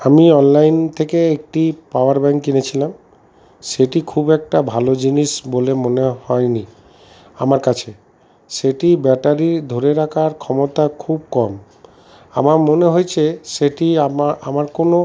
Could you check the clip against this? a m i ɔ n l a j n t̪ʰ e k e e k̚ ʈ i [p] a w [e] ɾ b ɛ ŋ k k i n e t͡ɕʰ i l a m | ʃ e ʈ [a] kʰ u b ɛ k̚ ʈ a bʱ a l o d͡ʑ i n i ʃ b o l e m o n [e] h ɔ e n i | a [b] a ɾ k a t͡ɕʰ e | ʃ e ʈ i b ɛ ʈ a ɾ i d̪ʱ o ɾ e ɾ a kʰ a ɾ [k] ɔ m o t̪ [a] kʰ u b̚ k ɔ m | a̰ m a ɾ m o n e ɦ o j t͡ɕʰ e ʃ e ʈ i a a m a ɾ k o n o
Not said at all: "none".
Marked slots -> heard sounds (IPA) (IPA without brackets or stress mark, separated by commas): p, a, i, e, m, kʰ, a